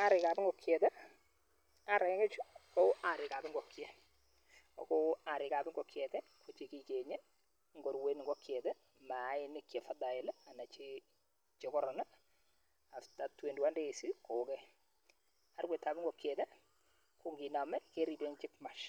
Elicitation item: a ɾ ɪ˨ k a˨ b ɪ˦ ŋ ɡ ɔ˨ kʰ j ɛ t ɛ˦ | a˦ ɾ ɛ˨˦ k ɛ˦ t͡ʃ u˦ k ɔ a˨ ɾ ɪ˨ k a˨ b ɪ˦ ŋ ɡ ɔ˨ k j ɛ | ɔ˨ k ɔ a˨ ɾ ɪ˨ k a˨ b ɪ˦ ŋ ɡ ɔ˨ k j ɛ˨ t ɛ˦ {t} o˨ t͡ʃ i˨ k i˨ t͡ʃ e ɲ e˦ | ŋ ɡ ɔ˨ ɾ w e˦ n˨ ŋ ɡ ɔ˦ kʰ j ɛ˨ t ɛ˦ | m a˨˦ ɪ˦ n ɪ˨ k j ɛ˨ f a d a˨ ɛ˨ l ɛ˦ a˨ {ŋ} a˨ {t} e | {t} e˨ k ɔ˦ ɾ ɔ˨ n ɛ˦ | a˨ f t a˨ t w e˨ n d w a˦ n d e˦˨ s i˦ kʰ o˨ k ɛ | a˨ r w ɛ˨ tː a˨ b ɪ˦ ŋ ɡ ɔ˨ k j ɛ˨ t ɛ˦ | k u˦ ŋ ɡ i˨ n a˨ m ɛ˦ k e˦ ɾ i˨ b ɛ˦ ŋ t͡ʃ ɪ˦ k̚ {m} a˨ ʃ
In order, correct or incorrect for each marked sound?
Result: incorrect, incorrect, incorrect, incorrect, correct

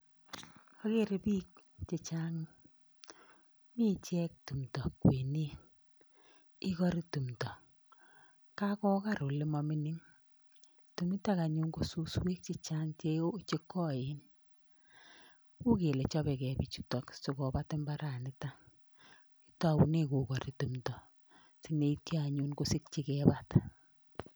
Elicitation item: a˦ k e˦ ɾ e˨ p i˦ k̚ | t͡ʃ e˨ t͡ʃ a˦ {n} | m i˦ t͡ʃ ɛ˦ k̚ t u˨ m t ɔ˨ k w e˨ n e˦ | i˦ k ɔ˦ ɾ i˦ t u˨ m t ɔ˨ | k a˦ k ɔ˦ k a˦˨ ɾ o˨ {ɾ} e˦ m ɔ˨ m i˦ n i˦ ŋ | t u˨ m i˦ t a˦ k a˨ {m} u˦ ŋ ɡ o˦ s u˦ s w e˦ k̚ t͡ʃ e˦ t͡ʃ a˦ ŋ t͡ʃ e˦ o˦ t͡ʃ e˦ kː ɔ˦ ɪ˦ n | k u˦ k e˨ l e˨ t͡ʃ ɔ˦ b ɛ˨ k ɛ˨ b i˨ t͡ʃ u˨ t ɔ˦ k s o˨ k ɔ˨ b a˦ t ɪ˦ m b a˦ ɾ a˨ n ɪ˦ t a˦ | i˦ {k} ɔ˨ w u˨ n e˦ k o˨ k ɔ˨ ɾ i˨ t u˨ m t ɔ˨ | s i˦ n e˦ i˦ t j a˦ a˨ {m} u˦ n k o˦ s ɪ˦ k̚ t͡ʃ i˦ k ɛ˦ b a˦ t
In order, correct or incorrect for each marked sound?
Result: incorrect, incorrect, incorrect, incorrect, incorrect

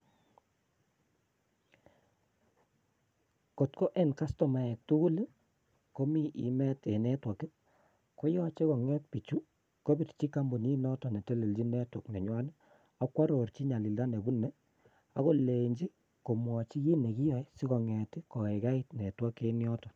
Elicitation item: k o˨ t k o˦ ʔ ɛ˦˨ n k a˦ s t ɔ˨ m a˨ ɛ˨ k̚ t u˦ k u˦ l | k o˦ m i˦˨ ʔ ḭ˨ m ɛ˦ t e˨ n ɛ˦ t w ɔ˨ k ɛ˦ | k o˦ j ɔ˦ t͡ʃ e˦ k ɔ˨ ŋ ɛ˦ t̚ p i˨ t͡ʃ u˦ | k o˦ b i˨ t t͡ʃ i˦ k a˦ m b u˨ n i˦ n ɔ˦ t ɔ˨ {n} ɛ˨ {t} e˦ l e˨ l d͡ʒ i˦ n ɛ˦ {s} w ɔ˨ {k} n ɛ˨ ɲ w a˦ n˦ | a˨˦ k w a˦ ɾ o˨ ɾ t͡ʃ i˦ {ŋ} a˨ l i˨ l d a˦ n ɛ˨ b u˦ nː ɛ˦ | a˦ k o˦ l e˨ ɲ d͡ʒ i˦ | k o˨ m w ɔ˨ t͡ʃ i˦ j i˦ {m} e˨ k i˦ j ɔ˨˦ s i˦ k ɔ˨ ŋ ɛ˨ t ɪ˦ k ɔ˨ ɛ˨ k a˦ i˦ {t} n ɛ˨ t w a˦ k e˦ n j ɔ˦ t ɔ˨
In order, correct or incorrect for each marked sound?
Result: correct, correct, incorrect, correct, incorrect, incorrect, correct

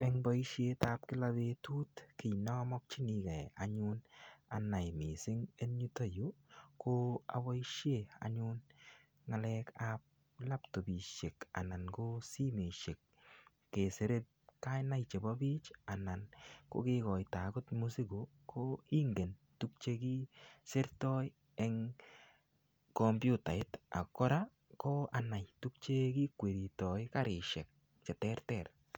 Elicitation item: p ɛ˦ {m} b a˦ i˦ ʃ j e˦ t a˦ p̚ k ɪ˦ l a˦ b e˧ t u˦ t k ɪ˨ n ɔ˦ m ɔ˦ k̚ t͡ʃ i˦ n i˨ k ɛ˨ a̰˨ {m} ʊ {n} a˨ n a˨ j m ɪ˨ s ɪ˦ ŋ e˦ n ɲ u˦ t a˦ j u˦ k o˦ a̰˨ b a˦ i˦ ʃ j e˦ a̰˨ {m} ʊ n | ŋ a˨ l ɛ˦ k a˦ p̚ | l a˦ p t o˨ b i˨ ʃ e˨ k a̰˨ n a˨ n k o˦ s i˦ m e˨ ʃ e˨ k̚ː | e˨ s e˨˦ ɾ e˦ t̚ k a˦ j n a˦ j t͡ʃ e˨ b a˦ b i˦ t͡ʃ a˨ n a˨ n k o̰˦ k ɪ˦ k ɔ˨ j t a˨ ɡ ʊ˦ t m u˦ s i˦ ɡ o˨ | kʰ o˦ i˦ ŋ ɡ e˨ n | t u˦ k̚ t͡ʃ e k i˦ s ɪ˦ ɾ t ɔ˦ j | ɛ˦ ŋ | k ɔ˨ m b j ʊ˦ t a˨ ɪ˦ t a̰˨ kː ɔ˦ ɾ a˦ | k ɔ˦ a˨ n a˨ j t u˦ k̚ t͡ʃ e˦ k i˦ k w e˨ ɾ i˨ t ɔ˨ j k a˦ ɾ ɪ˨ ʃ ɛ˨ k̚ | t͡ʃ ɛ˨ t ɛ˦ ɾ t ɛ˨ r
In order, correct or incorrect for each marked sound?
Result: incorrect, incorrect, correct, incorrect

